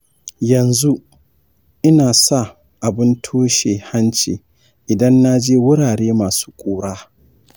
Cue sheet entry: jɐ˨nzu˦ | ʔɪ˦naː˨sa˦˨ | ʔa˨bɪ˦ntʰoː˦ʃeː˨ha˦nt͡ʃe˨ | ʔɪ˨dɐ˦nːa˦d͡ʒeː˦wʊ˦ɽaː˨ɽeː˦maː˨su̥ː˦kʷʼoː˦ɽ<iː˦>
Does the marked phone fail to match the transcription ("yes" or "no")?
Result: yes